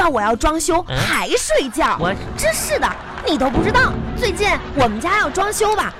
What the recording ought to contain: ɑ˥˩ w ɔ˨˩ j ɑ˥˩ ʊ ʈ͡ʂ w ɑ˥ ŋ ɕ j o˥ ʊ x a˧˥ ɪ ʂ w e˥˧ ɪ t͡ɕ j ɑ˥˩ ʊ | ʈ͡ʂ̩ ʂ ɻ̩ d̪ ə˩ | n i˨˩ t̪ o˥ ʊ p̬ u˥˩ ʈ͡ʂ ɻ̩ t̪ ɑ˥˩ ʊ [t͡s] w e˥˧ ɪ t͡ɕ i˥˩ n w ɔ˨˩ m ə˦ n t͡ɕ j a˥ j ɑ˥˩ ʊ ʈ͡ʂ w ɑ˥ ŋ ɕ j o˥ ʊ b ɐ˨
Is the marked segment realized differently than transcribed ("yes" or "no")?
no